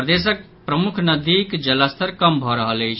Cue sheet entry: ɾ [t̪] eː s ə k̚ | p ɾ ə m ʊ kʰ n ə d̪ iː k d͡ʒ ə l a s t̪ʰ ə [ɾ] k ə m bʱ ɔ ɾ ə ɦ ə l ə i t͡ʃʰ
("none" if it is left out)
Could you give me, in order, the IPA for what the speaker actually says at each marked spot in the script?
d̪, ɾ

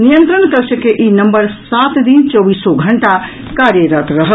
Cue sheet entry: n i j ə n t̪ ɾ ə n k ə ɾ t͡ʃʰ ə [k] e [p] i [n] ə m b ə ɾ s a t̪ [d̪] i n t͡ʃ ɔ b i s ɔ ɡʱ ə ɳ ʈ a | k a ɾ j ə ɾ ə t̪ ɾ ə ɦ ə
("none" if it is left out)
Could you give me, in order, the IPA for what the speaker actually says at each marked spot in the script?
k, ʔ, n, d̪

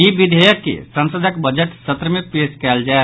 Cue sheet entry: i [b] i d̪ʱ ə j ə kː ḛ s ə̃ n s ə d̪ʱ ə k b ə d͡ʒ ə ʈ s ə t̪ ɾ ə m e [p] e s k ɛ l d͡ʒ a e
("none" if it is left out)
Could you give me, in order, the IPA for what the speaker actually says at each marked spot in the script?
b, p

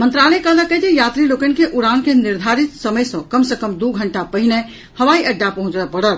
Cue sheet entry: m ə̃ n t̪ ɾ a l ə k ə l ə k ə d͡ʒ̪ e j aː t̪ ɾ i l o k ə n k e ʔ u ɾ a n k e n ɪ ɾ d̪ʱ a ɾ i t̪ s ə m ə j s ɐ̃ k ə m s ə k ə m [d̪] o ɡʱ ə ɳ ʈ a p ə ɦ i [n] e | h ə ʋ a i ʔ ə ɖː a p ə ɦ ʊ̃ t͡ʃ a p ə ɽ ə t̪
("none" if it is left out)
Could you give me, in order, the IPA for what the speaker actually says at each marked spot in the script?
d̪, n

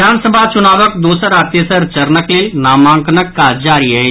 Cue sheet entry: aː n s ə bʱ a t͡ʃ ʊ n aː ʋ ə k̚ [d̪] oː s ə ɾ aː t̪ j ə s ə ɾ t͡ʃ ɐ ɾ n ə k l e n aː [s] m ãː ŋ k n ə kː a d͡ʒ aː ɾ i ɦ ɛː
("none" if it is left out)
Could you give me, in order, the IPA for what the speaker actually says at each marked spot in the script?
d̪, none

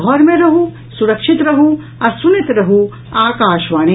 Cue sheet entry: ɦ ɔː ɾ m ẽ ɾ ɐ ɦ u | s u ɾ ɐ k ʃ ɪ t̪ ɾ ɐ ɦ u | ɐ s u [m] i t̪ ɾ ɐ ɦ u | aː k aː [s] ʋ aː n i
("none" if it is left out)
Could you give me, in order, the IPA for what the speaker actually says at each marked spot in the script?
n, ʃ

